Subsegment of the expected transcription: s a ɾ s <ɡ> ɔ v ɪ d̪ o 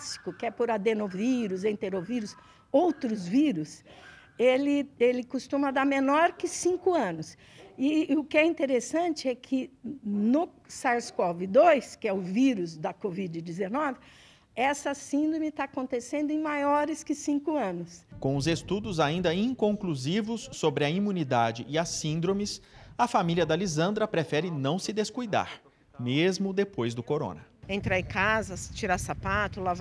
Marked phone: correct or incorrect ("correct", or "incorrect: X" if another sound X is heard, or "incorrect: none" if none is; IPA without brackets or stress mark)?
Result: incorrect: k